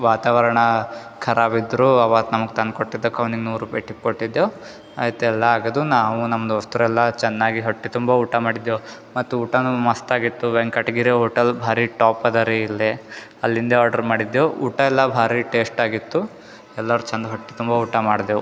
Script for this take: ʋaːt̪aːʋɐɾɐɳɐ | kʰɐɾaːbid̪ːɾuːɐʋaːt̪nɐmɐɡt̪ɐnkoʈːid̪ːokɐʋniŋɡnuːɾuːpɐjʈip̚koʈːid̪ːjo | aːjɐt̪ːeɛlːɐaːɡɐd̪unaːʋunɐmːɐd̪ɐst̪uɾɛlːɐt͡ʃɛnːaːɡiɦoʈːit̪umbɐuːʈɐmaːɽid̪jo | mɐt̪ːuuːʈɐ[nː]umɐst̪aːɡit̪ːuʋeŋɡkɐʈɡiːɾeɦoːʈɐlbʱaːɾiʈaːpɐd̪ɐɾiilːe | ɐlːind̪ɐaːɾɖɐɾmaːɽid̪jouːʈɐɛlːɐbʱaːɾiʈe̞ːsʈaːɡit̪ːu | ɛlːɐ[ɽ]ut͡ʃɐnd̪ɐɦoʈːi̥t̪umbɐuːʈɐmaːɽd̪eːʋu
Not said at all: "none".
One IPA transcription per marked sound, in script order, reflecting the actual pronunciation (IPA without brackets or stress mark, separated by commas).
n, ɾ